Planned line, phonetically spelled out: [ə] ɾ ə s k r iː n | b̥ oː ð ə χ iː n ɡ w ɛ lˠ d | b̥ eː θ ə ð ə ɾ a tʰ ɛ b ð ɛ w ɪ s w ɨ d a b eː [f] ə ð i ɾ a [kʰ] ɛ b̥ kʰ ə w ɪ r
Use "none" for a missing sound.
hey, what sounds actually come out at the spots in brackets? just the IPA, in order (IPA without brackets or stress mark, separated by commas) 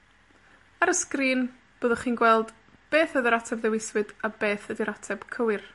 a, θ, tʰ